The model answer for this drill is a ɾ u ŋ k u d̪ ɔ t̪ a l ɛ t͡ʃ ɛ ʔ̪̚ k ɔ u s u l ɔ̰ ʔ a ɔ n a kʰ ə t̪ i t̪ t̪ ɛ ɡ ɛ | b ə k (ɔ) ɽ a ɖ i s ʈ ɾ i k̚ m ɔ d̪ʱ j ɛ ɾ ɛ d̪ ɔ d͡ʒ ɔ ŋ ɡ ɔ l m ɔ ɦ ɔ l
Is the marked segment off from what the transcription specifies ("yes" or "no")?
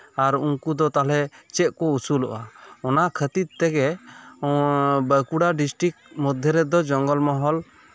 yes